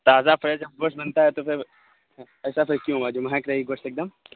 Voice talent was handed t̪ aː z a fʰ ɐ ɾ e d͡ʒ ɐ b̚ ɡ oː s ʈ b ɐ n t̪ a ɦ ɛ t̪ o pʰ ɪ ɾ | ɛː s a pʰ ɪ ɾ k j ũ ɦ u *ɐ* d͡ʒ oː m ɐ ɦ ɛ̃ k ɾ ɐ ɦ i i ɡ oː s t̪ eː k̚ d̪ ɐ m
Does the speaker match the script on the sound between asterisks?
no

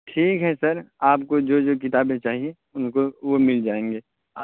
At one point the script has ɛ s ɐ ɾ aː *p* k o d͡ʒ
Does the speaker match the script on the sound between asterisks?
yes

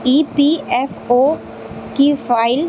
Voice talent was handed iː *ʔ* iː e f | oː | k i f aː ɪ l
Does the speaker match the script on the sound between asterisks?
no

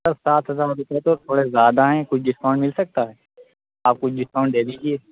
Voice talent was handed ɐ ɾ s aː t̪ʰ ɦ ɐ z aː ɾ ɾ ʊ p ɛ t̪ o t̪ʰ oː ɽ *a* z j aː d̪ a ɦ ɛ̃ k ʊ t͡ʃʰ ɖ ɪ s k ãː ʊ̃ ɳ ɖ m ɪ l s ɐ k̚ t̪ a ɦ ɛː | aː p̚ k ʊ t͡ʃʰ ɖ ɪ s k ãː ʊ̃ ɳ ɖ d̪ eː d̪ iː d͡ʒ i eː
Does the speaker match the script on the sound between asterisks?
no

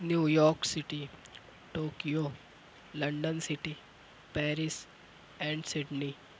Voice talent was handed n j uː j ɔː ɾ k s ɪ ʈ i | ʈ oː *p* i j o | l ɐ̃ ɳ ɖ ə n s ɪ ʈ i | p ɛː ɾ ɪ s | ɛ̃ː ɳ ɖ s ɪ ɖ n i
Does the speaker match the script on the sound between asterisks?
no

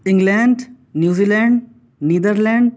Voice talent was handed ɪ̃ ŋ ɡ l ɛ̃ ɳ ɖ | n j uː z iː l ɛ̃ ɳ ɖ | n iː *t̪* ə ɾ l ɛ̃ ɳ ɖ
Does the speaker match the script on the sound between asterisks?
no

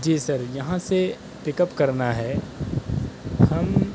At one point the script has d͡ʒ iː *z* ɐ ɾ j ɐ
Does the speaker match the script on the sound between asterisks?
no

